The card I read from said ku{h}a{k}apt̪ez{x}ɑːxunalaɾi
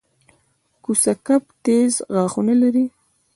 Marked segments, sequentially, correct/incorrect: incorrect: s, correct, incorrect: ɣ

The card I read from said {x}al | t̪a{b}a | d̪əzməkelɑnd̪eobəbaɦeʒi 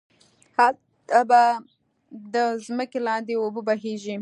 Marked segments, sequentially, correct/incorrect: incorrect: h, correct

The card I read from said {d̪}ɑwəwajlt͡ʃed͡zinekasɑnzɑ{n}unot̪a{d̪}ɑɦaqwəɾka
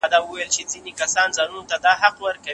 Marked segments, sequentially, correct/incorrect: correct, correct, correct

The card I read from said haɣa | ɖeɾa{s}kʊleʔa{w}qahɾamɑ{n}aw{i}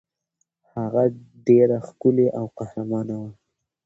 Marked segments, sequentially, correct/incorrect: incorrect: x, correct, correct, incorrect: a

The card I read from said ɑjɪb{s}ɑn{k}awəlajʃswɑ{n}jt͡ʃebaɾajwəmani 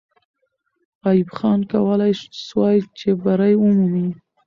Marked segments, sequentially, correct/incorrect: incorrect: x, correct, incorrect: none

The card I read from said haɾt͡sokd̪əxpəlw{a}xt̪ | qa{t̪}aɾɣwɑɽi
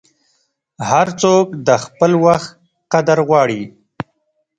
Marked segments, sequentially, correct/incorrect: correct, incorrect: d̪

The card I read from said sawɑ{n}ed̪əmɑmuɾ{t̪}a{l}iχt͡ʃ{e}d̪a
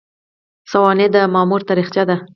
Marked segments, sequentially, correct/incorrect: correct, correct, incorrect: ɾ, incorrect: a

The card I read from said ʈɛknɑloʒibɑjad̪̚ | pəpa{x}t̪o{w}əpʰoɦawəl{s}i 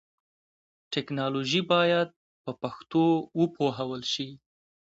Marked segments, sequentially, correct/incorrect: correct, correct, incorrect: ʃ

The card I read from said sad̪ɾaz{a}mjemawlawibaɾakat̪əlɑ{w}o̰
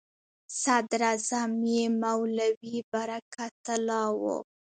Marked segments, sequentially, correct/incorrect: correct, correct

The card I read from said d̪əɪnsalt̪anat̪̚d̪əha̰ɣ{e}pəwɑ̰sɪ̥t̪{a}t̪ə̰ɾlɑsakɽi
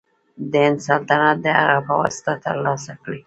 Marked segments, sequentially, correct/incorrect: incorrect: a, correct

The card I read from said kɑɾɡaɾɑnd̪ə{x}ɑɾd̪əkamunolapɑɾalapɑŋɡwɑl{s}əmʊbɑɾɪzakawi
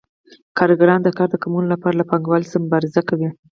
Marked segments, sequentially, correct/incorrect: incorrect: k, correct

